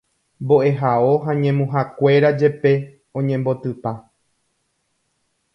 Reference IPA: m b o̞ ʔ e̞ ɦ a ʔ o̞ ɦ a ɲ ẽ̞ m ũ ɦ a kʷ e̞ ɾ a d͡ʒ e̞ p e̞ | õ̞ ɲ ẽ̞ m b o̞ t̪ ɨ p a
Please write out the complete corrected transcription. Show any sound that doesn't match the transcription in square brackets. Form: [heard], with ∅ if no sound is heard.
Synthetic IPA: m b o̞ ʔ e̞ ɦ a [∅] o̞ ɦ a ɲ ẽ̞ m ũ ɦ a kʷ e̞ ɾ a d͡ʒ e̞ p e̞ | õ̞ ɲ ẽ̞ m b o̞ t̪ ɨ p a

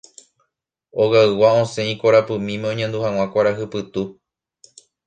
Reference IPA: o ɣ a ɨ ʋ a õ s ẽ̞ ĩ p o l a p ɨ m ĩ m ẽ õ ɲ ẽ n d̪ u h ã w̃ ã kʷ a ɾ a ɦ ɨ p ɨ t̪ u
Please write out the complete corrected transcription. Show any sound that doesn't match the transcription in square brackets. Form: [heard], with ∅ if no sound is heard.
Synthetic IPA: o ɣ a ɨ [w] a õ s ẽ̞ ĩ [k] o [ɾ] a p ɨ m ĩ m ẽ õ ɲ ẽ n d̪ u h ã w̃ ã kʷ a ɾ a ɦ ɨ p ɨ t̪ u

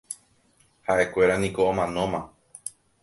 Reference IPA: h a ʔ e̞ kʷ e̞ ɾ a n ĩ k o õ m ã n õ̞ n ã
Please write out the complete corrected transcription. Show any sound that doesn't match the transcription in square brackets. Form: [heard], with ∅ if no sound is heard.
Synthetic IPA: h a ʔ e̞ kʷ e̞ ɾ a n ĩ k o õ m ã n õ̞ [m] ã

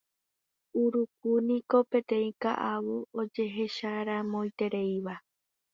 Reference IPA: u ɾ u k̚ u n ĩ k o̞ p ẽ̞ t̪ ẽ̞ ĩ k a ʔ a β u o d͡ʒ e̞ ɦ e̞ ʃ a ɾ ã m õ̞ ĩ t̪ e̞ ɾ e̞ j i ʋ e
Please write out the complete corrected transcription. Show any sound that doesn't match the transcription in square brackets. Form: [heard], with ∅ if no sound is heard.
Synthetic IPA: u ɾ u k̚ u n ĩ k o̞ p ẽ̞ t̪ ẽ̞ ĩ k a ʔ a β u o d͡ʒ e̞ ɦ e̞ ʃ a ɾ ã m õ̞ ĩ t̪ e̞ ɾ e̞ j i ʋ [a]

